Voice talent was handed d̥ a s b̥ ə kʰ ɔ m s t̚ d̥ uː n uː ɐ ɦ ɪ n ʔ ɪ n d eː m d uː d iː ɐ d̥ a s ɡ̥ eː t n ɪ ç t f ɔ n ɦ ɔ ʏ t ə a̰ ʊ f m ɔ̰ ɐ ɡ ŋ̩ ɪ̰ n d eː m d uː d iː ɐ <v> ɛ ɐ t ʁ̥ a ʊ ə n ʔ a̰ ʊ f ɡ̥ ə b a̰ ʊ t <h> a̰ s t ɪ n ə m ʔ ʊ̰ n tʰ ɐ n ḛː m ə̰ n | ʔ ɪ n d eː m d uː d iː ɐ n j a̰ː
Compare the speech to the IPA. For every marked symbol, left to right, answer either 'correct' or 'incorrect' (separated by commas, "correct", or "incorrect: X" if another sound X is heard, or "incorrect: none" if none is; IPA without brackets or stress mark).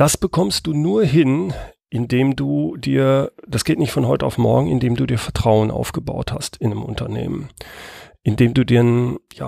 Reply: incorrect: f, correct